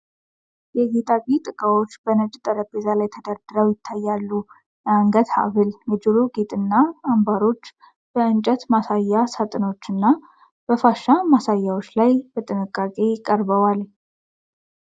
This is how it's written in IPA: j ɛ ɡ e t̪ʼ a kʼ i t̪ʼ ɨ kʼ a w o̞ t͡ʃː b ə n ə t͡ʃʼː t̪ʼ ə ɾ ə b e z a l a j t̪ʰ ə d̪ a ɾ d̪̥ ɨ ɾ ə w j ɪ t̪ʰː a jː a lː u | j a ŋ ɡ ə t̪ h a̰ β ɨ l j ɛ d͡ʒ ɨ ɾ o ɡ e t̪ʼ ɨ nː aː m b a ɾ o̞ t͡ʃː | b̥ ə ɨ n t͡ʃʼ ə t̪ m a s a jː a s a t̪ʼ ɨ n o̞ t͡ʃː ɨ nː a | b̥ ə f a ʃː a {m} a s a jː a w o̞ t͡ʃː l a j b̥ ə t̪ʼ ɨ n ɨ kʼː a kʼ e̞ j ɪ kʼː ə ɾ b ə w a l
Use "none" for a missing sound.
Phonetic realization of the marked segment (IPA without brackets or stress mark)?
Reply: m